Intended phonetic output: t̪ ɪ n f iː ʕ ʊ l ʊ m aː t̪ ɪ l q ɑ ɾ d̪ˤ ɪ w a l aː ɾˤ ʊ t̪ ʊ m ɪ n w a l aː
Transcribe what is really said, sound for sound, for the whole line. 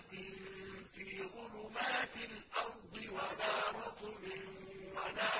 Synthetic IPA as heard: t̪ ɪ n f iː ɣ ʊ l ʊ m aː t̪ ɪ l ʔ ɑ ɾ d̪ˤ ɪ w a l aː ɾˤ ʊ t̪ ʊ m ɪ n w a l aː